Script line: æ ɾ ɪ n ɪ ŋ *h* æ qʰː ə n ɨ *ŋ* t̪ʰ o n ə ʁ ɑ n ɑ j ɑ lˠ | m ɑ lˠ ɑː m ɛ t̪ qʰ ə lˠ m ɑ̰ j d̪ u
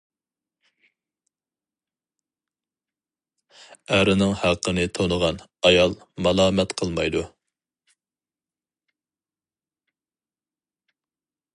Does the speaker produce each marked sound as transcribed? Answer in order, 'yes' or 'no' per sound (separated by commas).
yes, no